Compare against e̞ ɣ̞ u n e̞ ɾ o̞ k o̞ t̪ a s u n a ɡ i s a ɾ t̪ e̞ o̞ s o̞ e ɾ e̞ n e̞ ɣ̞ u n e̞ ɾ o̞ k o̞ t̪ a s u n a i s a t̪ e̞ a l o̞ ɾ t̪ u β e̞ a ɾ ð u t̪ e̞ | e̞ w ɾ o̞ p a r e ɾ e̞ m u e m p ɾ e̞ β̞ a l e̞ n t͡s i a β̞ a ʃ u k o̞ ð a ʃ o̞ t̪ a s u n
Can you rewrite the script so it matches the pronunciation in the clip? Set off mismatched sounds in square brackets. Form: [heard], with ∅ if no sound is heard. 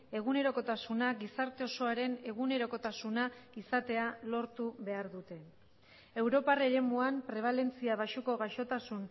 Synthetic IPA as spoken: e̞ ɣ̞ u n e̞ ɾ o̞ k o̞ t̪ a s u n a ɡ i s a ɾ t̪ e̞ o̞ s o̞ [a] ɾ e̞ n e̞ ɣ̞ u n e̞ ɾ o̞ k o̞ t̪ a s u n a i s a t̪ e̞ a l o̞ ɾ t̪ u β e̞ a ɾ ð u t̪ e̞ | e̞ w ɾ o̞ p a r e ɾ e̞ m u [a] m p ɾ e̞ β̞ a l e̞ n t͡s i a β̞ a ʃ u k o̞ [ɣ] a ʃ o̞ t̪ a s u n